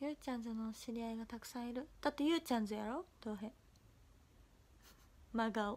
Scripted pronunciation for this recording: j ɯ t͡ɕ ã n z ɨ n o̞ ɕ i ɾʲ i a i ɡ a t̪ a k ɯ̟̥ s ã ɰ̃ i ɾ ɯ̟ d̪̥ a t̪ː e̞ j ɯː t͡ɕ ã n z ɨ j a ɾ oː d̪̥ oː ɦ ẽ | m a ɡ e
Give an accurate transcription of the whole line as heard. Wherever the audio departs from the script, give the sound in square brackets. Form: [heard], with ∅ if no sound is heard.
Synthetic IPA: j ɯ t͡ɕ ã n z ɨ n o̞ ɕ i ɾʲ i a i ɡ a t̪ a k ɯ̟̥ s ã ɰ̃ i ɾ ɯ̟ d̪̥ a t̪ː e̞ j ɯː t͡ɕ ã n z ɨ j a ɾ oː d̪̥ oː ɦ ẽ | m a ɡ [a]